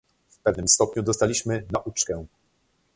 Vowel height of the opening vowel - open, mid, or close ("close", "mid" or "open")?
mid